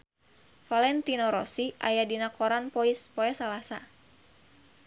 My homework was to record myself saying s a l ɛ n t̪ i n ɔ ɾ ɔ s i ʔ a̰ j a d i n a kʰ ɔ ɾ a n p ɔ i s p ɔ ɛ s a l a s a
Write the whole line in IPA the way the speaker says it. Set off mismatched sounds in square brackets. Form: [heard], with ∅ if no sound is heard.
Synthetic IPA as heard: [f] a l ɛ n t̪ i n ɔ ɾ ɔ s i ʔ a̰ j a d i n a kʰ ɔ ɾ a n p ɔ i s p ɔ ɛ s a l a s a